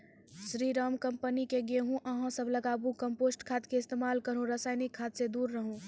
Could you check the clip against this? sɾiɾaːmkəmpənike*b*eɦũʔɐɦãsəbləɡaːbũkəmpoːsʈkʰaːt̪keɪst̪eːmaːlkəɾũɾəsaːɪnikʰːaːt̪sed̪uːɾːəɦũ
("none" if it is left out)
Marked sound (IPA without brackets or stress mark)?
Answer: ɡ